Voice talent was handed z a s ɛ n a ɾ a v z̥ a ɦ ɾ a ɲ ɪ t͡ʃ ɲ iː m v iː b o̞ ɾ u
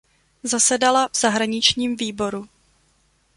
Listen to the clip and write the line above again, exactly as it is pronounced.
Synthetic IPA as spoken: z a s ɛ d a l a v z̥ a ɦ ɾ a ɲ ɪ t͡ʃ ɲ iː m v iː b o̞ ɾ u